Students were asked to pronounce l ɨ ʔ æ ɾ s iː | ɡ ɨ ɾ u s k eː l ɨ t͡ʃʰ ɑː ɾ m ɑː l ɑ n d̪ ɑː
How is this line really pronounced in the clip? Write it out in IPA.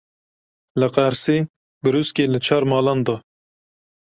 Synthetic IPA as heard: l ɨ q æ ɾ s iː | b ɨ ɾ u s k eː l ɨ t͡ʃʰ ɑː ɾ m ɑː l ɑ n d̪ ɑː